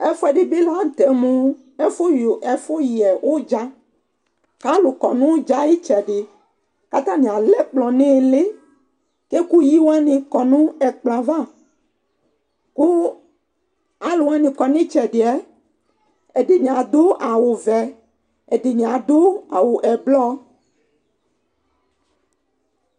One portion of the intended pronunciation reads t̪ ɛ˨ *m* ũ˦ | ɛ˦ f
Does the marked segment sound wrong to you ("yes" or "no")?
no